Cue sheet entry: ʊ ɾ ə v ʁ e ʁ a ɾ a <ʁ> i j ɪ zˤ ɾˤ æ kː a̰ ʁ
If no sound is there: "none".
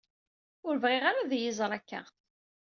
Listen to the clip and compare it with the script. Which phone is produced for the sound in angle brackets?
ð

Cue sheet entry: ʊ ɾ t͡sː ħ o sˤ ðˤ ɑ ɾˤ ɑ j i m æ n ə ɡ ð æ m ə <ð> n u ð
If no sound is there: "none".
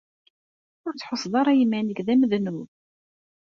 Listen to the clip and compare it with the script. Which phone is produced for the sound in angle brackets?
ð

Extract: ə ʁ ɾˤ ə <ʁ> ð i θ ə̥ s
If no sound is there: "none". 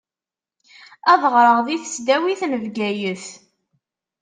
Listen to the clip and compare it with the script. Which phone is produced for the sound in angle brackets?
ʁ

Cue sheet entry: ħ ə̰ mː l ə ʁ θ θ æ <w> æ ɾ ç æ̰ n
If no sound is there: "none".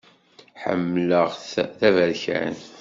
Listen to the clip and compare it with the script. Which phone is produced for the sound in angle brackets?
v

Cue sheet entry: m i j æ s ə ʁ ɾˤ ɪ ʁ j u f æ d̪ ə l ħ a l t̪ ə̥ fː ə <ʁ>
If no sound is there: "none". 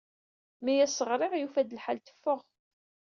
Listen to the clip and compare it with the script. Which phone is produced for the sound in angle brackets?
ʁ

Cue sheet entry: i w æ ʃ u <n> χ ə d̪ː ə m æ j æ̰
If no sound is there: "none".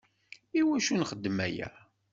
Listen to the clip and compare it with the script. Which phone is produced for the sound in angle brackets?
n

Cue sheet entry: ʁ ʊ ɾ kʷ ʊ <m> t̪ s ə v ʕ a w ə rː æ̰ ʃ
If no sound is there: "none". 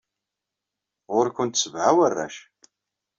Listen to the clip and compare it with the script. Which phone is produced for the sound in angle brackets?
n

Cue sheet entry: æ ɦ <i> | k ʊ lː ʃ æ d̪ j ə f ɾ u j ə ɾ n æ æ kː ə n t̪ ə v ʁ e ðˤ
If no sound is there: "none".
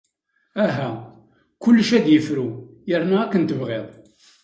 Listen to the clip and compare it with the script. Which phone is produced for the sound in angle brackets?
æ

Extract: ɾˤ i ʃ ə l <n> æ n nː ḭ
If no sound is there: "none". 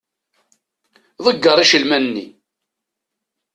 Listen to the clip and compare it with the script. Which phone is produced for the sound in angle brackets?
m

